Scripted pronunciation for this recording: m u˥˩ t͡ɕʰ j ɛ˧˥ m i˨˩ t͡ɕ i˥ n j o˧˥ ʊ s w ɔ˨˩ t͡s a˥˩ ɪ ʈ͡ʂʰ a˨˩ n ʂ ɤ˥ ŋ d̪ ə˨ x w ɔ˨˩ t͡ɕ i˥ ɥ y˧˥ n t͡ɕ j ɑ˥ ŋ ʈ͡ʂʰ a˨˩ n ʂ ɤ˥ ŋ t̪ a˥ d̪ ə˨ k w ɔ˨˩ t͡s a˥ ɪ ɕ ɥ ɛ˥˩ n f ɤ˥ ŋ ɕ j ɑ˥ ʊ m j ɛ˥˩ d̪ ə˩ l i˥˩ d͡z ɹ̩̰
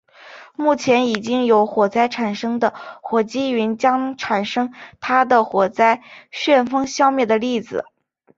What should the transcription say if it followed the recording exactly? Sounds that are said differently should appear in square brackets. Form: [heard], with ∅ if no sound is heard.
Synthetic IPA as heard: m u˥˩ t͡ɕʰ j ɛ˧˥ [n] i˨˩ t͡ɕ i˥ [ŋ] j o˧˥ ʊ [x] w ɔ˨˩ t͡s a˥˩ ɪ ʈ͡ʂʰ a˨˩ n ʂ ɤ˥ ŋ d̪ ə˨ x w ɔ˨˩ t͡ɕ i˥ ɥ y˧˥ n t͡ɕ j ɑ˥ ŋ ʈ͡ʂʰ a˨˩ n ʂ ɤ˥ ŋ [t̪ʰ] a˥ d̪ ə˨ [x] w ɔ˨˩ t͡s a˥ ɪ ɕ ɥ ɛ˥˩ n f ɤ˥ ŋ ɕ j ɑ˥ ʊ m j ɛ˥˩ d̪ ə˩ l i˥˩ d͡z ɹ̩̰